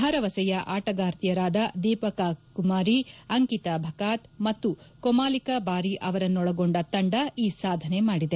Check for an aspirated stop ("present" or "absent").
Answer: absent